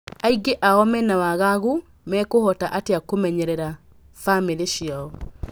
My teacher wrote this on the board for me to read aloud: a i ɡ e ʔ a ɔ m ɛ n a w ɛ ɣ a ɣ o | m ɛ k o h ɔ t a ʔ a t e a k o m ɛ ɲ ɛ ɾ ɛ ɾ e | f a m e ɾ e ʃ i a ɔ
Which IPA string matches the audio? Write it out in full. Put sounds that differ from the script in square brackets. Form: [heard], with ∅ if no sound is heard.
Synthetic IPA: a i ɡ e ʔ a ɔ m ɛ n a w [a] ɣ a ɣ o | m ɛ k o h ɔ t a ʔ a t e a k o m ɛ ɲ ɛ ɾ ɛ ɾ [a] | f a m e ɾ e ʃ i a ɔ